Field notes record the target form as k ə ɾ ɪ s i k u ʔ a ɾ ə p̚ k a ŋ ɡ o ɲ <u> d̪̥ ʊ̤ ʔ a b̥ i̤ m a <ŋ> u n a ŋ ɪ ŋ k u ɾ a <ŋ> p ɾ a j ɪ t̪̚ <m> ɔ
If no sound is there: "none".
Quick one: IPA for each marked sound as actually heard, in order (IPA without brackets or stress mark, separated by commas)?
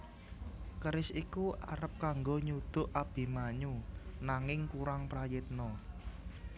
u, ɲ, ŋ, n